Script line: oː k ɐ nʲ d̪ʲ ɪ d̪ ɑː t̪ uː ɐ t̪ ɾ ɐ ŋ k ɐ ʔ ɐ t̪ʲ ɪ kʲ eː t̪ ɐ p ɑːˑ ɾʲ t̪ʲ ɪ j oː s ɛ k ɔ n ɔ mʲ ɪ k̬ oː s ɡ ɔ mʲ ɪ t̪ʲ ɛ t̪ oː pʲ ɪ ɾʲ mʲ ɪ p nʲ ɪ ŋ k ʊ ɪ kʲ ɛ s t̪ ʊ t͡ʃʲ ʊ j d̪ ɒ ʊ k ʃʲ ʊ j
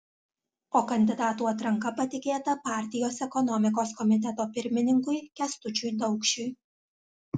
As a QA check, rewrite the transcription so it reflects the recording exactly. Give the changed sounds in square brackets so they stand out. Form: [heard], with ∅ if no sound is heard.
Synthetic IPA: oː k ɐ nʲ d̪ʲ ɪ d̪ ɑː t̪ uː ɐ t̪ ɾ ɐ ŋ k ɐ [p] ɐ t̪ʲ ɪ kʲ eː t̪ ɐ p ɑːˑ ɾʲ t̪ʲ ɪ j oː s ɛ k ɔ n ɔ mʲ ɪ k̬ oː s [k] ɔ mʲ ɪ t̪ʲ ɛ t̪ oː pʲ ɪ ɾʲ mʲ ɪ [∅] nʲ ɪ ŋ k ʊ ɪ kʲ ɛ s t̪ ʊ t͡ʃʲ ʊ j d̪ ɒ ʊ k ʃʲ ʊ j

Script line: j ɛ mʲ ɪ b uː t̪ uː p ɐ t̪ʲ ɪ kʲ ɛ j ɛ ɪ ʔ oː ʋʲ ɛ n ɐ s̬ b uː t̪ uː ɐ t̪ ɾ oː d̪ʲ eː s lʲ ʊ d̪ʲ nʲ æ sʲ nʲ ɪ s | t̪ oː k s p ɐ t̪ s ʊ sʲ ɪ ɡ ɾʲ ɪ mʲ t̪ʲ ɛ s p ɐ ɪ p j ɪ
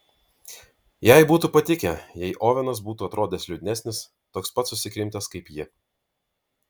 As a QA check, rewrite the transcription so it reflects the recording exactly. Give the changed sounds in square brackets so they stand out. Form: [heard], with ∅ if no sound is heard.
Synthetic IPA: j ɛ [∅] ɪ b uː t̪ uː p ɐ t̪ʲ ɪ kʲ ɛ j ɛ ɪ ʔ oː ʋʲ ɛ n ɐ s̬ b uː t̪ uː ɐ t̪ ɾ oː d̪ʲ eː s lʲ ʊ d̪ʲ nʲ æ sʲ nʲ ɪ s | t̪ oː k s p ɐ t̪ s ʊ sʲ ɪ [k] ɾʲ ɪ mʲ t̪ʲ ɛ s [k] ɐ ɪ p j ɪ

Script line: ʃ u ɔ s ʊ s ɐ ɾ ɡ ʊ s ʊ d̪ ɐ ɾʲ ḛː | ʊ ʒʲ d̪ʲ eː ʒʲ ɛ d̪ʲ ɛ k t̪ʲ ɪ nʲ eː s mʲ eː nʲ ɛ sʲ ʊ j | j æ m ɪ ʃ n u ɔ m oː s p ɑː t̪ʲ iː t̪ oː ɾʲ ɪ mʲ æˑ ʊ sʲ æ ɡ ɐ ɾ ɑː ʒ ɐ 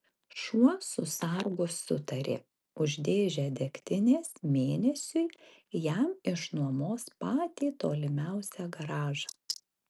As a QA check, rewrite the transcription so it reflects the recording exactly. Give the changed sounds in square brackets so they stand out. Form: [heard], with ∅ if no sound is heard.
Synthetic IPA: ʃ u ɔ s ʊ s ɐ ɾ ɡ ʊ s ʊ [t̪] ɐ ɾʲ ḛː | ʊ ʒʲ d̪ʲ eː ʒʲ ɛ d̪ʲ ɛ k t̪ʲ ɪ nʲ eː s mʲ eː nʲ ɛ sʲ ʊ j | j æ m ɪ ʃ n u ɔ m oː s p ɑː t̪ʲ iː t̪ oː [lʲ] ɪ mʲ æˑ ʊ sʲ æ ɡ ɐ ɾ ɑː ʒ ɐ

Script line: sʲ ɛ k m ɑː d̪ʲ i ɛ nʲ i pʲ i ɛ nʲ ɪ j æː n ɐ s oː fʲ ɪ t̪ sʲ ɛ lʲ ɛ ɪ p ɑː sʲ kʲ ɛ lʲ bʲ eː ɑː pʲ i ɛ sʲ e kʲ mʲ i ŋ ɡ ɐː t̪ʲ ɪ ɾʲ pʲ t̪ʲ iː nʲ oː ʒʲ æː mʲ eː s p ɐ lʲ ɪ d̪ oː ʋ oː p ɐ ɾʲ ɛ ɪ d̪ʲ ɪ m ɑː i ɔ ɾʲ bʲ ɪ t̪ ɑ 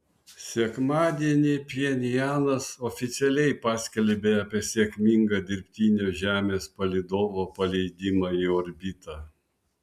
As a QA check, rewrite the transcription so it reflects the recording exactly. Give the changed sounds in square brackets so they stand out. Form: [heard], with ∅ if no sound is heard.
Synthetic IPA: sʲ ɛ k m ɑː d̪ʲ i ɛ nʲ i pʲ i ɛ nʲ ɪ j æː n ɐ s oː fʲ ɪ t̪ sʲ ɛ lʲ ɛ ɪ p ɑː sʲ kʲ ɛ lʲ bʲ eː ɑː pʲ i ɛ sʲ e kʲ mʲ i ŋ ɡ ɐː [d̪ʲ] ɪ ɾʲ pʲ t̪ʲ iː nʲ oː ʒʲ æː mʲ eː s p ɐ lʲ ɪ d̪ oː ʋ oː p ɐ [lʲ] ɛ ɪ d̪ʲ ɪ m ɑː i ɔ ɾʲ bʲ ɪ t̪ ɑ

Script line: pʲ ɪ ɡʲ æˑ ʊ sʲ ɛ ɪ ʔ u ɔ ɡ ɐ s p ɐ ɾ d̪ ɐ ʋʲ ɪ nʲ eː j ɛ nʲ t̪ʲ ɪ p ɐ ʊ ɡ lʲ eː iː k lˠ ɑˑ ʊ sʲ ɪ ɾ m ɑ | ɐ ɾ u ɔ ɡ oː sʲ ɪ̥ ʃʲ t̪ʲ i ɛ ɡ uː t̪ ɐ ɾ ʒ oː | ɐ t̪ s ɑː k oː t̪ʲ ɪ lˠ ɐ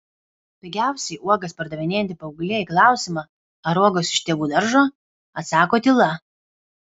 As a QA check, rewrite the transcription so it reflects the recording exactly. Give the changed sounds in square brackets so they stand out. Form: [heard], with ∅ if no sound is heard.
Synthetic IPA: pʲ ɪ ɡʲ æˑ ʊ sʲ ɛ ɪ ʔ u ɔ ɡ ɐ s p ɐ ɾ d̪ ɐ ʋʲ ɪ nʲ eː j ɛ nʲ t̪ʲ ɪ p ɐ ʊ ɡ lʲ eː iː k lˠ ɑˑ ʊ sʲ ɪ [∅] m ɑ | ɐ ɾ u ɔ ɡ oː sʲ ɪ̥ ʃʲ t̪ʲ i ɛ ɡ uː [d̪] ɐ ɾ ʒ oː | ɐ t̪ s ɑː k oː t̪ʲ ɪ lˠ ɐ

